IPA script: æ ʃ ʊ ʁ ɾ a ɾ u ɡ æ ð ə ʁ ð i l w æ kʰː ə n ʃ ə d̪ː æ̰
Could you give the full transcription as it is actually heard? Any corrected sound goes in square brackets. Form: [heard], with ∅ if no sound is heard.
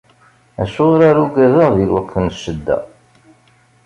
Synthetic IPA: æ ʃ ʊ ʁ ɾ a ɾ u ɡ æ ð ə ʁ ð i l w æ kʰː ə n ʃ ə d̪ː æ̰